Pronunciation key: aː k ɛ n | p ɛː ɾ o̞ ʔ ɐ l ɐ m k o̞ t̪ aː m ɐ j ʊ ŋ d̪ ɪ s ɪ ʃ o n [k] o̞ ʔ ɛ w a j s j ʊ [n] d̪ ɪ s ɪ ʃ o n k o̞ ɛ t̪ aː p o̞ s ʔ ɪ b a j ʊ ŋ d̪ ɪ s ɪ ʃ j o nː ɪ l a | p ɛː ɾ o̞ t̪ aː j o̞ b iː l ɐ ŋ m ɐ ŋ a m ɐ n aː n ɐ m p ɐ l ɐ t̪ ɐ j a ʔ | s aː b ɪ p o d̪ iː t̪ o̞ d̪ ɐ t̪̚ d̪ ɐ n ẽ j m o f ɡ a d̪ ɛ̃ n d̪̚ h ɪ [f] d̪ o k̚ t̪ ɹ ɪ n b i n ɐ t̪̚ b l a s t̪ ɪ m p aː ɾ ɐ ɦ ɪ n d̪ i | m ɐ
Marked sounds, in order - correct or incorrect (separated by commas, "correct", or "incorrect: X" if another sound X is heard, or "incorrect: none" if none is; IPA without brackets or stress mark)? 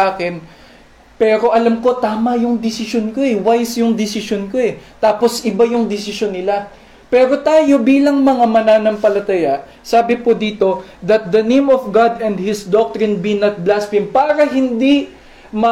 correct, incorrect: ŋ, incorrect: s